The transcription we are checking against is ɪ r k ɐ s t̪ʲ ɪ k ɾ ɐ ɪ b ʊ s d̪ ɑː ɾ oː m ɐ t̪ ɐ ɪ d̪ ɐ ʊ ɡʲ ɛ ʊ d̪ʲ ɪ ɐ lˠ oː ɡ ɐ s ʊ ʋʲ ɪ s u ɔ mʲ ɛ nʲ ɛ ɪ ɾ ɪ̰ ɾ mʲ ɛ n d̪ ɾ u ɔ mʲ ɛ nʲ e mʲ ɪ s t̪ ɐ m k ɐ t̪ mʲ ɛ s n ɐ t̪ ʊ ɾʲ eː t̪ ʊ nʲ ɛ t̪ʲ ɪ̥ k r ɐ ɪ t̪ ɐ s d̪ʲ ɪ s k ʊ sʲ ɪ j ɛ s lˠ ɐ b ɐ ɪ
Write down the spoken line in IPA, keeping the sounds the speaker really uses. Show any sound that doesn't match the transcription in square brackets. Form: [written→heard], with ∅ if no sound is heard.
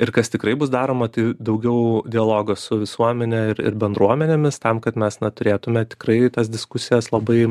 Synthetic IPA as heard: ɪ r k ɐ s t̪ʲ ɪ k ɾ ɐ ɪ b ʊ s d̪ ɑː ɾ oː m ɐ t̪ ɐ ɪ d̪ ɐ ʊ ɡʲ ɛ ʊ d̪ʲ ɪ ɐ lˠ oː ɡ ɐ s ʊ ʋʲ ɪ s u ɔ mʲ ɛ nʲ ɛ ɪ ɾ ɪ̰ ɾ [mʲ→bʲ] ɛ n d̪ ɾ u ɔ mʲ ɛ nʲ e mʲ ɪ s t̪ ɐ m k ɐ t̪ mʲ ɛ s n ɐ t̪ ʊ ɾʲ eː t̪ ʊ [nʲ→mʲ] ɛ t̪ʲ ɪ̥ k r ɐ ɪ t̪ ɐ s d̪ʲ ɪ s k ʊ sʲ ɪ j ɛ s lˠ ɐ b ɐ ɪ